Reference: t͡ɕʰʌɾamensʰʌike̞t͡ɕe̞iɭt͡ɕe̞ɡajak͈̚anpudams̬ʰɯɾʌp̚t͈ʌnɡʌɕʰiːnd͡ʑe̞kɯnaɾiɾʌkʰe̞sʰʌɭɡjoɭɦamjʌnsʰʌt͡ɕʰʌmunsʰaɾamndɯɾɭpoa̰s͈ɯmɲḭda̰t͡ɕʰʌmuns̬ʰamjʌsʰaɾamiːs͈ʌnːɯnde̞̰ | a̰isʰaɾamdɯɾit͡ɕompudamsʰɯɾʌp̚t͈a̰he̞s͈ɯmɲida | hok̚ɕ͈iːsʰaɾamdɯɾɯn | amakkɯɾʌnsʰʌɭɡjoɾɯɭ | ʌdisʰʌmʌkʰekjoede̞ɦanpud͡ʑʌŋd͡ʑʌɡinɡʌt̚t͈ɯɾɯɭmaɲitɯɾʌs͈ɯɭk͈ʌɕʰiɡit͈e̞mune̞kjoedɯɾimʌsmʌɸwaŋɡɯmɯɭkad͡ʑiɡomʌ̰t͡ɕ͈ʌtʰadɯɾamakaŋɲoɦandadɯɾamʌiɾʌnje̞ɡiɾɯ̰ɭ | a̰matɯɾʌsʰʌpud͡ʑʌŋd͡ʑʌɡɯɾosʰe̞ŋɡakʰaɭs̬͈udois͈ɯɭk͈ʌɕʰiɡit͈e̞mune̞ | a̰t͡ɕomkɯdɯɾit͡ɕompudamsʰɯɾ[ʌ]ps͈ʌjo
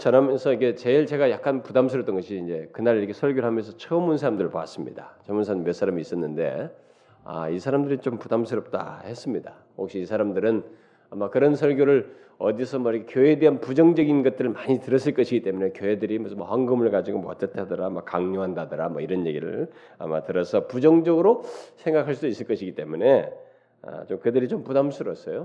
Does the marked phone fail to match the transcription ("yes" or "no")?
no